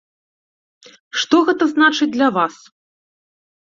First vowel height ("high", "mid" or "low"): mid